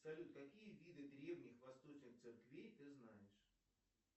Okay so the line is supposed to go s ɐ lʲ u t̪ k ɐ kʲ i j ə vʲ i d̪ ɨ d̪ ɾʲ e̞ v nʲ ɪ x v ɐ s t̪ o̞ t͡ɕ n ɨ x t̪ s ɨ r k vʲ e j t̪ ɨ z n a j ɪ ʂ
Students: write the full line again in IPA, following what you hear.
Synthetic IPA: s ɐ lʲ u t̪ k ɐ kʲ i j ə vʲ i d̪ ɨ d̪ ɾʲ e̞ v nʲ ɪ x v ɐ s t̪ o̞ t͡ɕ n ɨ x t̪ s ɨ r k vʲ e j t̪ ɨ z n a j ɪ ʂ